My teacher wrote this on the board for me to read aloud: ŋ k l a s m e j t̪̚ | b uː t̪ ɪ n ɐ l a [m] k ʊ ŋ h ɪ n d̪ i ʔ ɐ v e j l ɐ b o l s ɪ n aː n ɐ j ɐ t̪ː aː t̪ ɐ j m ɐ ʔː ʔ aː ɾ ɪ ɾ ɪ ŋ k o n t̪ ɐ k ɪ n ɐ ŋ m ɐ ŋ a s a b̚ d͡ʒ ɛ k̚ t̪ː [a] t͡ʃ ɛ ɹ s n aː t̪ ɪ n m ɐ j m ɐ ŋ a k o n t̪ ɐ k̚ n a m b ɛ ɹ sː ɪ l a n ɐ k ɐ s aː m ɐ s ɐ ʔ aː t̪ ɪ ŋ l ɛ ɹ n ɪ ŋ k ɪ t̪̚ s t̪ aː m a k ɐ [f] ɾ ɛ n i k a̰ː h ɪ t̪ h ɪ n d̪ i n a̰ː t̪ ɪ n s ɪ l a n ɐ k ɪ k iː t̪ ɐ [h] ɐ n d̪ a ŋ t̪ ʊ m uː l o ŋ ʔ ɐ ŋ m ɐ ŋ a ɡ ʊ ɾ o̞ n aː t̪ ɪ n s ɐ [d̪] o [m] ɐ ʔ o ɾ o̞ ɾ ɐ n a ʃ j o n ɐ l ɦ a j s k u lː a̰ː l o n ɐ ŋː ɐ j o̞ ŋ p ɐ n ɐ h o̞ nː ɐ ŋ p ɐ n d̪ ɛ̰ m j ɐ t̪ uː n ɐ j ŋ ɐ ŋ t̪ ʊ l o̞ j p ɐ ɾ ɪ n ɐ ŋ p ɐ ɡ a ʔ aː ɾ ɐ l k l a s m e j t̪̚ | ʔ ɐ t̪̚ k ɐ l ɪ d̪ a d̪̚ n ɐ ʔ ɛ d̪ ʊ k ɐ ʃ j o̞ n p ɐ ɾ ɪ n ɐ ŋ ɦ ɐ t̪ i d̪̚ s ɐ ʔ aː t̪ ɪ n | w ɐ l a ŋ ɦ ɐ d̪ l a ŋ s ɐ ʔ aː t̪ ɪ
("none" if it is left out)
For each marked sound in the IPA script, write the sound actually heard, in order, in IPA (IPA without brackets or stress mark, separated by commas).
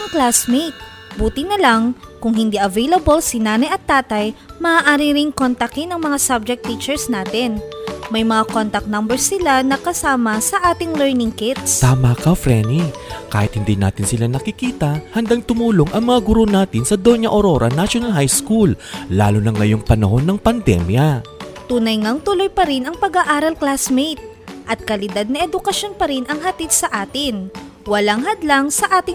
ŋ, i, f, h, d̪, ɲ